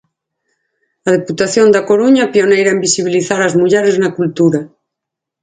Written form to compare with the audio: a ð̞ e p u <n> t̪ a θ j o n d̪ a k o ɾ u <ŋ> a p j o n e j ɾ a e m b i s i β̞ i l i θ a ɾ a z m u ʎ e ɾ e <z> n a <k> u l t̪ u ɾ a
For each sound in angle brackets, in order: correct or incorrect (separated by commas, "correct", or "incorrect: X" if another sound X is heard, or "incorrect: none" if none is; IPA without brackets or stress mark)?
incorrect: none, incorrect: ɲ, correct, correct